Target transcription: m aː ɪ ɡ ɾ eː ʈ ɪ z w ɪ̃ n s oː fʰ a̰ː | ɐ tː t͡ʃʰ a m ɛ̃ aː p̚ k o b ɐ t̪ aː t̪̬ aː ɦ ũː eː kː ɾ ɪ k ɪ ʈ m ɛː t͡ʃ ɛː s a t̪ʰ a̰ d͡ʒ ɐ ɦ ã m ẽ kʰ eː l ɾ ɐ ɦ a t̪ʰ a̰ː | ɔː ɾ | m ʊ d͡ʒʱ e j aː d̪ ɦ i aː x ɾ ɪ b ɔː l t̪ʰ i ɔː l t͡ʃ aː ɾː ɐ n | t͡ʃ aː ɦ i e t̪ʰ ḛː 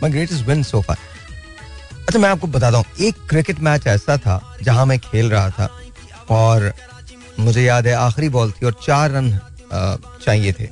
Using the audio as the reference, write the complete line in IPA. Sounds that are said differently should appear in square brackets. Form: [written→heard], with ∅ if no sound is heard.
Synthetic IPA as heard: m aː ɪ ɡ ɾ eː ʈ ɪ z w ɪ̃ n s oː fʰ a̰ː | ɐ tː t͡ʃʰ a m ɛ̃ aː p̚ k o b ɐ t̪ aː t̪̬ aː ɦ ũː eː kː ɾ ɪ k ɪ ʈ m ɛː t͡ʃ ɛː s a t̪ʰ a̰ d͡ʒ ɐ ɦ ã m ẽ kʰ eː l ɾ ɐ ɦ a t̪ʰ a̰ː | ɔː ɾ | m ʊ d͡ʒʱ e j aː d̪ ɦ [i→ɛ] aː x ɾ [ɪ→i] b ɔː l t̪ʰ i ɔː [l→ɾ] t͡ʃ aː ɾː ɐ n | t͡ʃ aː ɦ i e t̪ʰ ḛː